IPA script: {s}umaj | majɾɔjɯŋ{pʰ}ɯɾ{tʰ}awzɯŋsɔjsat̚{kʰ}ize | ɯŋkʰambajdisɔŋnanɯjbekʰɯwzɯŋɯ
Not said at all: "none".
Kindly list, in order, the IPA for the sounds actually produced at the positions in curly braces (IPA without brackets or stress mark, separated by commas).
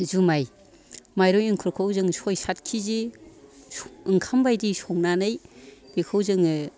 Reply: z, kʰ, kʰ, kʰ